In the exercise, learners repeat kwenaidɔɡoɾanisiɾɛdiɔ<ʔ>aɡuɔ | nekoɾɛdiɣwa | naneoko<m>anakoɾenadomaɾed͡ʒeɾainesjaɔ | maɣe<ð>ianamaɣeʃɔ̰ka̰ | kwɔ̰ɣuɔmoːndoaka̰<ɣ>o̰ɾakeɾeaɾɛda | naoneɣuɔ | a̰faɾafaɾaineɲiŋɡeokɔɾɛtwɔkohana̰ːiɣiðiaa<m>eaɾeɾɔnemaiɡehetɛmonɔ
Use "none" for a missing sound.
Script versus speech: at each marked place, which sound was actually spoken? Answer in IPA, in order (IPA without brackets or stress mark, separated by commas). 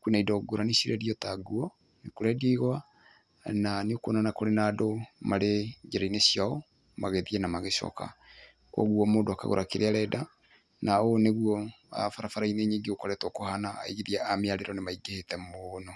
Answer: t, n, ð, ɣ, m